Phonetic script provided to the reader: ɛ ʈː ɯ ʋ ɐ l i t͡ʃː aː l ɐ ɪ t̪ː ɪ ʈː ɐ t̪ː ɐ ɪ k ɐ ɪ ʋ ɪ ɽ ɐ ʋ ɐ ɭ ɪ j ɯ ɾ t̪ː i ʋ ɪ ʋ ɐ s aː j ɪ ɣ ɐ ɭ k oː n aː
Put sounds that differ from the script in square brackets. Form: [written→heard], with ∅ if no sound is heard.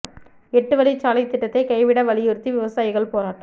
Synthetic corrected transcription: ɛ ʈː ɯ ʋ ɐ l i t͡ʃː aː l ɐ ɪ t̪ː ɪ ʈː ɐ t̪ː ɐ ɪ k ɐ ɪ ʋ ɪ ɽ ɐ ʋ ɐ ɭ ɪ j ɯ ɾ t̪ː i ʋ ɪ ʋ ɐ s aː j ɪ ɣ ɐ ɭ [k→p] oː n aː